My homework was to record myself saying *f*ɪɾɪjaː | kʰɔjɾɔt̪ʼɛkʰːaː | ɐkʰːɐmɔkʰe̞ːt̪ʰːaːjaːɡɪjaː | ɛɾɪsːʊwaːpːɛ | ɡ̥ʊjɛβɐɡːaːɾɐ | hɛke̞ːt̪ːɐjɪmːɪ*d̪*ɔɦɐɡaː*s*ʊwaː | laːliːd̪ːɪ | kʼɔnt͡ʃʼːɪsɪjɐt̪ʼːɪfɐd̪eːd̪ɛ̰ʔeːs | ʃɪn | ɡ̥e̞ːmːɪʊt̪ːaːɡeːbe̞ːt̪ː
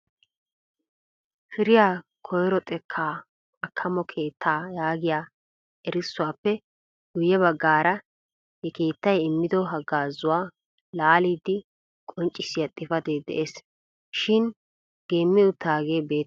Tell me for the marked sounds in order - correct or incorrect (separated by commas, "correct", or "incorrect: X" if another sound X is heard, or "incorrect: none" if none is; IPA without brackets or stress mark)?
correct, correct, incorrect: z